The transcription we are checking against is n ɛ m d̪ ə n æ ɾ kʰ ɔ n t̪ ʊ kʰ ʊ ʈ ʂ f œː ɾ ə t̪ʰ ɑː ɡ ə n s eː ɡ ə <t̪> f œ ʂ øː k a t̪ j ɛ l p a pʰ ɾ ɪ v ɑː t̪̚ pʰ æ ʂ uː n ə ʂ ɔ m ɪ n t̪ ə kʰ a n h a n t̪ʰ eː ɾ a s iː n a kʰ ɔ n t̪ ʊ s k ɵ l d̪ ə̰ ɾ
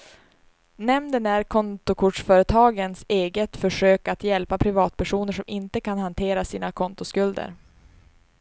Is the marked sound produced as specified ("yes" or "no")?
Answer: yes